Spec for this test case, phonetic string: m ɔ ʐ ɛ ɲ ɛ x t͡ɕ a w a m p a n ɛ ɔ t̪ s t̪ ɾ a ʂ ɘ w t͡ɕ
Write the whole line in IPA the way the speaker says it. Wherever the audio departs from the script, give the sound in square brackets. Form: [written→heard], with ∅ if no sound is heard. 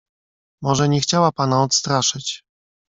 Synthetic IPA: m ɔ ʐ ɛ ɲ ɛ x t͡ɕ a w a [m→∅] p a n [ɛ→a] ɔ t̪ s t̪ ɾ a ʂ ɘ [w→∅] t͡ɕ